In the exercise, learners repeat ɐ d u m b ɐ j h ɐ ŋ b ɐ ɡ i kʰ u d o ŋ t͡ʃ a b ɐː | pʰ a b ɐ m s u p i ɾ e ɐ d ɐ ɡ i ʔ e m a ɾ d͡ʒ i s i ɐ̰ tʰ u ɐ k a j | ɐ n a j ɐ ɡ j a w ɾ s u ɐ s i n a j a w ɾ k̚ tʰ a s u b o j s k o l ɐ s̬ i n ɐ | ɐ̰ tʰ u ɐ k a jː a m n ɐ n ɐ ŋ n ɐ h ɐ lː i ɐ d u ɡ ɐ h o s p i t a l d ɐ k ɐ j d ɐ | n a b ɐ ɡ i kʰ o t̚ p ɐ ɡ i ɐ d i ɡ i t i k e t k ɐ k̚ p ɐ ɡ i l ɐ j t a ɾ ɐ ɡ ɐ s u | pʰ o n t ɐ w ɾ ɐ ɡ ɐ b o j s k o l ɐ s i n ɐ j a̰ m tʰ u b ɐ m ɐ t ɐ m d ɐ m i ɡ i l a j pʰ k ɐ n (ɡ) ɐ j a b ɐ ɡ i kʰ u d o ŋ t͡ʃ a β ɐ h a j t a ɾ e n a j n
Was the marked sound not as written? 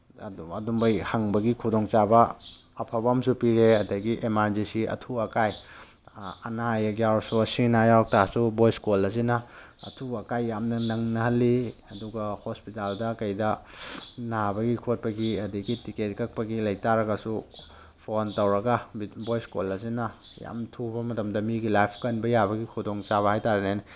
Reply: yes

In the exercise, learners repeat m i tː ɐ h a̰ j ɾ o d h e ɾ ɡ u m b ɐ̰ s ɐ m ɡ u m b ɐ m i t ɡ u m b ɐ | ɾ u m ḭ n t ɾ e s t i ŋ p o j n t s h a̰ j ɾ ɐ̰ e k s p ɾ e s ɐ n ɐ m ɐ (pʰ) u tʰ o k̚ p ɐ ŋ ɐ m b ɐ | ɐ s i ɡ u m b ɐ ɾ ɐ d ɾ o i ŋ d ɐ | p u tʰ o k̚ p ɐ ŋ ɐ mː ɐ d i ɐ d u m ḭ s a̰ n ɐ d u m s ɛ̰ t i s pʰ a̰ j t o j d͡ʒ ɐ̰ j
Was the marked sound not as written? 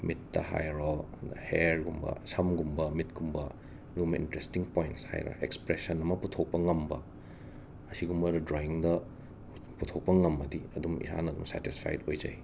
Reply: yes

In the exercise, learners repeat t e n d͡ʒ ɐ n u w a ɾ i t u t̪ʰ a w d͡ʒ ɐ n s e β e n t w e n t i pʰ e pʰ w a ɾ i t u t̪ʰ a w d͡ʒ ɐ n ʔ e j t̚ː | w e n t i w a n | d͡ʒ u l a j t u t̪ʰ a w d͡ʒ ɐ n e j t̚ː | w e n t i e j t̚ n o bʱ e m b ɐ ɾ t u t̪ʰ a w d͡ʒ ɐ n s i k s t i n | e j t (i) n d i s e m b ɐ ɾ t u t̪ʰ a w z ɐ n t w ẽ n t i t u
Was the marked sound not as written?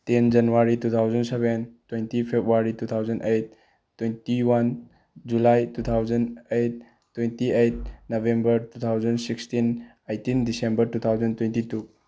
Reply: no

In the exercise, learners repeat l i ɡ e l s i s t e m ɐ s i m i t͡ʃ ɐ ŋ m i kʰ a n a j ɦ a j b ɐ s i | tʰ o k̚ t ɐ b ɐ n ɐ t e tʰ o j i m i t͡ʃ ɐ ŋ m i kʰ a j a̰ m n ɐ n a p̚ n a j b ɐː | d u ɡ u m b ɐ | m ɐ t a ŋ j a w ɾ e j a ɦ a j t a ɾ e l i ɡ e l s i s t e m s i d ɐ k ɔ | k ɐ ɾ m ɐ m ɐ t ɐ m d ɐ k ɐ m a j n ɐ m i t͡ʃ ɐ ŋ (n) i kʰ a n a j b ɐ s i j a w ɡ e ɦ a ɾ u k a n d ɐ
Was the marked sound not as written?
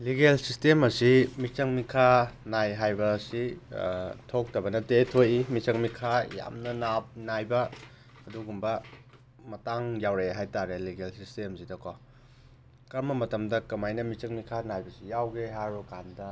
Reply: yes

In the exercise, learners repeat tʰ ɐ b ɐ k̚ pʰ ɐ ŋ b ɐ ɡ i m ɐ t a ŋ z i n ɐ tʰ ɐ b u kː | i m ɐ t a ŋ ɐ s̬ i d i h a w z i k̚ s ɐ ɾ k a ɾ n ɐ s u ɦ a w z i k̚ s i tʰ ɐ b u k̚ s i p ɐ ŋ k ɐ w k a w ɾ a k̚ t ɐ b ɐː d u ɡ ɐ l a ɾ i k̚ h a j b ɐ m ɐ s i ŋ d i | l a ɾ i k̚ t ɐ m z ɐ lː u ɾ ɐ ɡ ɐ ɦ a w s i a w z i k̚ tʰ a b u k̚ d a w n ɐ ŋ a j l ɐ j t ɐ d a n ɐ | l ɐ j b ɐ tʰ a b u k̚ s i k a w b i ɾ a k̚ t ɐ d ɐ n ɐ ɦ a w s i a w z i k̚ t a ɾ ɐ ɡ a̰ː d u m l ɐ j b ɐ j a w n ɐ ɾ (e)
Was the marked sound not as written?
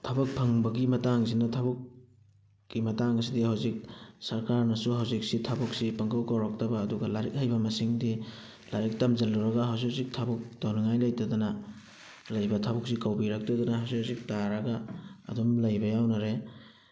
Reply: no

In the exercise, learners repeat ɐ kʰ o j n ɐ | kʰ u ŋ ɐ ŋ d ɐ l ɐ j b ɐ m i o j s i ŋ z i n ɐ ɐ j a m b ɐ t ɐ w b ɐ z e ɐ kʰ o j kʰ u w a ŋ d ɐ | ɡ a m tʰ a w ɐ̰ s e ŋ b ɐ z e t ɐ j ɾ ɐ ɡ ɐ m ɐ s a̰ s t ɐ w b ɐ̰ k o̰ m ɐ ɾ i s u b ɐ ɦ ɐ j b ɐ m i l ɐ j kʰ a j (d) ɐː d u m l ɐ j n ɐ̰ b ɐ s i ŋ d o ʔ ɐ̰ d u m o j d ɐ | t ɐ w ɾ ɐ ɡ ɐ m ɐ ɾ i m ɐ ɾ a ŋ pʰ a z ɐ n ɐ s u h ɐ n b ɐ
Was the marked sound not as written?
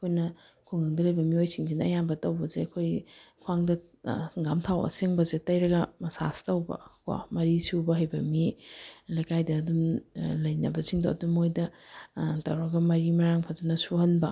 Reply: no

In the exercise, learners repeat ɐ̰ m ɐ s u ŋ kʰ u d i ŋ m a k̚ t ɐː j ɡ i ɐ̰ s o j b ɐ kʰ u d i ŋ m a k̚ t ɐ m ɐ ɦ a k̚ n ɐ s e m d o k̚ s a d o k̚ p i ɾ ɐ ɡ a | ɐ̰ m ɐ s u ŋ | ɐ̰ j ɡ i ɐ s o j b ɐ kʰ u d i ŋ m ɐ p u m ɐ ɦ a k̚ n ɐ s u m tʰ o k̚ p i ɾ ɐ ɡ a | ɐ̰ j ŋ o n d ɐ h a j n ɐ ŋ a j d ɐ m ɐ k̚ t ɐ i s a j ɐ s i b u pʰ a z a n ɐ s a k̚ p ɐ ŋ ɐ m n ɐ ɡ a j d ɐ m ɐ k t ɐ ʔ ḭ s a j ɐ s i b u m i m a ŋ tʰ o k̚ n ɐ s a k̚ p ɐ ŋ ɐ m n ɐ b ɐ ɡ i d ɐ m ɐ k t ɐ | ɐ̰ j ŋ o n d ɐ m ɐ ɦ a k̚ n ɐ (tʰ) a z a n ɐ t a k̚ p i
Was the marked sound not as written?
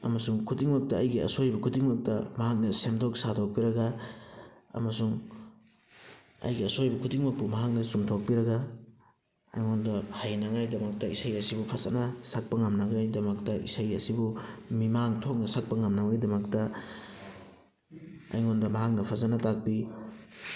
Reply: yes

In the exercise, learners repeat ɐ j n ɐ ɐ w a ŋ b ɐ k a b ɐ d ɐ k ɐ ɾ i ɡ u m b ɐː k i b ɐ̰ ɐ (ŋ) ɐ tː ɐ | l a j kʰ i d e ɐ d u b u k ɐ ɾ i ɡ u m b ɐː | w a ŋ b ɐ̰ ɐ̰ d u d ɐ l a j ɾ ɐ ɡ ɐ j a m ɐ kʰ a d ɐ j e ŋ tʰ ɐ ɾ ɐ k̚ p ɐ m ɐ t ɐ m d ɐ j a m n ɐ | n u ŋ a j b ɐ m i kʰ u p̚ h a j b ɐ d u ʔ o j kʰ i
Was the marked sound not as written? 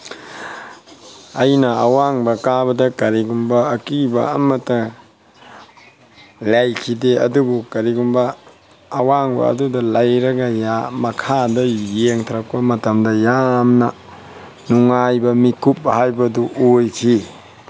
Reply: yes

